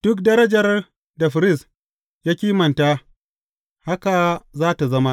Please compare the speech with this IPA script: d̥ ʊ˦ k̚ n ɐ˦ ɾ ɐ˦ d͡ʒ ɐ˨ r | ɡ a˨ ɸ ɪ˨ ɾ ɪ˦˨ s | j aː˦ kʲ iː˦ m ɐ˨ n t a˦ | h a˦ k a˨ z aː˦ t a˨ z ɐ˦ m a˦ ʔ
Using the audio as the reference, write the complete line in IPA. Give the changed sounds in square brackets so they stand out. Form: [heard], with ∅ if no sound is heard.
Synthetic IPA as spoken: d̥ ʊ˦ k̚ [d] ɐ˦ ɾ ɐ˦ d͡ʒ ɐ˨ r | [d] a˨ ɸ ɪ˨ ɾ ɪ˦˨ s | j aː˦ kʲ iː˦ m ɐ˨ n t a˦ | h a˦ k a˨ z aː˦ t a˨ z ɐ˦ m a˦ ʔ